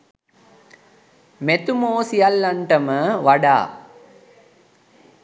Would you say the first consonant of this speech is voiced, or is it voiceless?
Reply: voiced